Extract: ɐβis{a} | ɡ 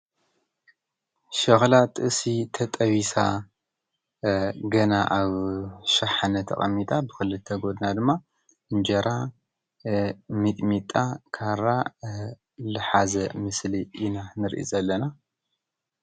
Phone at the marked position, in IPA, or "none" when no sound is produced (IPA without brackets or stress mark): a